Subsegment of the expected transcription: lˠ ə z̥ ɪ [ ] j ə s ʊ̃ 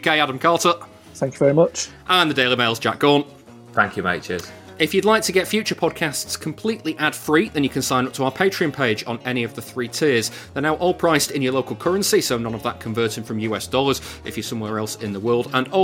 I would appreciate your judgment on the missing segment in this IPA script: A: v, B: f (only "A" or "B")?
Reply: B